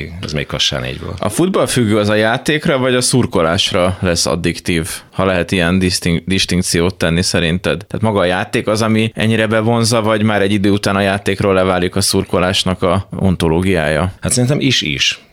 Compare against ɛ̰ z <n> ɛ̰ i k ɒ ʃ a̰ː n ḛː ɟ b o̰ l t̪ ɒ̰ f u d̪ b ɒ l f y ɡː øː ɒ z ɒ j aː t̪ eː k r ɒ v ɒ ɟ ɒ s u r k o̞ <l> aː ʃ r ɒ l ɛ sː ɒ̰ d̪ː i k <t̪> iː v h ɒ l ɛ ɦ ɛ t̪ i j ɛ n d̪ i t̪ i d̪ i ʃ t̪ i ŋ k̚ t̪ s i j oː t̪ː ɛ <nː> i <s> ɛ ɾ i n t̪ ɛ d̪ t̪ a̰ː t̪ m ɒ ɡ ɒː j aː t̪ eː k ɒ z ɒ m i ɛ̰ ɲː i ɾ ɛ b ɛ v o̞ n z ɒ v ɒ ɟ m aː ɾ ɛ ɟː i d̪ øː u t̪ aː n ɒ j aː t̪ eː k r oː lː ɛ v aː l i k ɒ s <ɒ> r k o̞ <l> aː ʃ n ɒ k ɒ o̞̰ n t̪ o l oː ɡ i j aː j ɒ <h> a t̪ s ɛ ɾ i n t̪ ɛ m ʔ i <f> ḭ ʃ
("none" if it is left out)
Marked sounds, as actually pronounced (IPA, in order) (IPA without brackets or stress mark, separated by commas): m, l, t̪, nː, s, u, l, h, ʃ